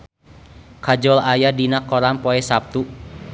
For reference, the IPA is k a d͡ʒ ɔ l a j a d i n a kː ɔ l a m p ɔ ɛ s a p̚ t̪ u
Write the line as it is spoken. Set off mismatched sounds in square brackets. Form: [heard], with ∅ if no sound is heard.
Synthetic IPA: k a d͡ʒ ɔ l a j a d i n a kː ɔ [ɾ] a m p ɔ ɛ s a p̚ t̪ u